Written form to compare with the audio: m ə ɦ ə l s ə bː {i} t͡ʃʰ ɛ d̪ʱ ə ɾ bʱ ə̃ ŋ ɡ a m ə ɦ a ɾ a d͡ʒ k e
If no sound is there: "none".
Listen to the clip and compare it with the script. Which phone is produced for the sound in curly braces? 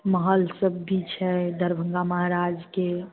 i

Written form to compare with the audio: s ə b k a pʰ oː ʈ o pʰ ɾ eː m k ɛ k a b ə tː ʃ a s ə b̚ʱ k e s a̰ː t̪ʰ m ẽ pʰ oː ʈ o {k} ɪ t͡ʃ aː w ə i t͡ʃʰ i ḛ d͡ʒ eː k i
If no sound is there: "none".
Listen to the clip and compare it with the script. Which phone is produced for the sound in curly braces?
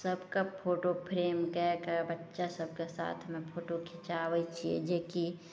kʰ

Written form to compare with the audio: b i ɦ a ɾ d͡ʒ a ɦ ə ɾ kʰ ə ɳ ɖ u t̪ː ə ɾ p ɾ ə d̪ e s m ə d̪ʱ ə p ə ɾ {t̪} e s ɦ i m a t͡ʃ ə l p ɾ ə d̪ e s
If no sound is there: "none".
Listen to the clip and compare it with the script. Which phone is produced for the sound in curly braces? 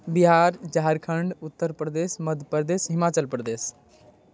d̪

